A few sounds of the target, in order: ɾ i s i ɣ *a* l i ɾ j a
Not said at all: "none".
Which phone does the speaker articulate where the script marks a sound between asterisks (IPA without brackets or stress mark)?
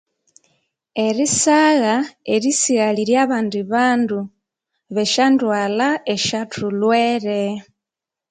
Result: a